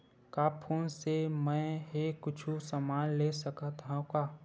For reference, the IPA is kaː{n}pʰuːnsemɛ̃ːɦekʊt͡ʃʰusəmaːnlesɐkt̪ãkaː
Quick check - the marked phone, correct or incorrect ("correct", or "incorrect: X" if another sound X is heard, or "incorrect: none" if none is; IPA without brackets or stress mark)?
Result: incorrect: none